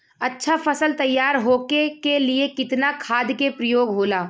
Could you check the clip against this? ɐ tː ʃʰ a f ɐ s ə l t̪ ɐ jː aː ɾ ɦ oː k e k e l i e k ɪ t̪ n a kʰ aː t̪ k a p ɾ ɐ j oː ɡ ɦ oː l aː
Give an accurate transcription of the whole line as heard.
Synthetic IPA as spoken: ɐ tː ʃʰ a f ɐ s ə l t̪ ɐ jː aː ɾ ɦ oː k e k e l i e k ɪ t̪ n a kʰ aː d̪ k e p ɾ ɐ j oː ɡ ɦ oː l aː